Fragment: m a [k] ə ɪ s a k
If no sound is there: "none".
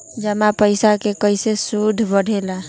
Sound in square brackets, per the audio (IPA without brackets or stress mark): p